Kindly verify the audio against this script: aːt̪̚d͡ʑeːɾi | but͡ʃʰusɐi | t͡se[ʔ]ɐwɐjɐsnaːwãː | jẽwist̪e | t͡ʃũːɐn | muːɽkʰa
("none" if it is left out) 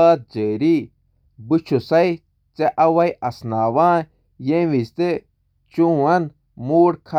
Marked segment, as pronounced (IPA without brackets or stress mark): ʔ